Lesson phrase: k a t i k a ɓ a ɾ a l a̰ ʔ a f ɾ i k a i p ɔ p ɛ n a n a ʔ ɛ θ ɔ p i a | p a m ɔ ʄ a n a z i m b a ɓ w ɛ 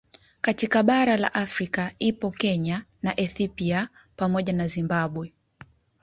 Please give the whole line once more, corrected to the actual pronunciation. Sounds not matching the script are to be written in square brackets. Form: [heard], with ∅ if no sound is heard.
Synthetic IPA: k a t i k a ɓ a ɾ a l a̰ ʔ a f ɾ i k a i p ɔ [k] ɛ [ɲ] a n a ʔ ɛ θ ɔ p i a | p a m ɔ ʄ a n a z i m b a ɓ w ɛ